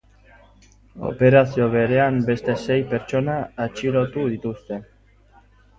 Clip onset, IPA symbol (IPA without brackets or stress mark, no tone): o̰